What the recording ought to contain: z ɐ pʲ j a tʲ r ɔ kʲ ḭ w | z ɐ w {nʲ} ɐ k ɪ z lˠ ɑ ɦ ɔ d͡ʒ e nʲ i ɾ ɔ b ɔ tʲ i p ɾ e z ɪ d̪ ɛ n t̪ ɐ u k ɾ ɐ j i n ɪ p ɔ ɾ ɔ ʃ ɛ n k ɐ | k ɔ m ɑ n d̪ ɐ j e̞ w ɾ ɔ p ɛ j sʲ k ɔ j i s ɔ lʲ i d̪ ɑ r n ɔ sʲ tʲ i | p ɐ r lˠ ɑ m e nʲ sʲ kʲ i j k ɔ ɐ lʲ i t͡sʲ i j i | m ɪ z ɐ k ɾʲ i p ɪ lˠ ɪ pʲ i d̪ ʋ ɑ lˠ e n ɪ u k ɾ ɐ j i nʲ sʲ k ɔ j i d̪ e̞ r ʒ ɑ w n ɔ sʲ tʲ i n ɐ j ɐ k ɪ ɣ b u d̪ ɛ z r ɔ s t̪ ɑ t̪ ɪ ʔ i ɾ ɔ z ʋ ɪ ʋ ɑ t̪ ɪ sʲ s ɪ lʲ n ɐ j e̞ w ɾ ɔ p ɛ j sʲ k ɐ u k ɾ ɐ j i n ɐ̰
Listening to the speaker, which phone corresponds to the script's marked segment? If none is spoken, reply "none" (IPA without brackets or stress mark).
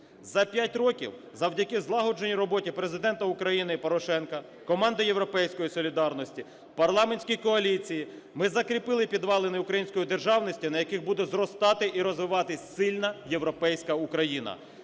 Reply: dʲ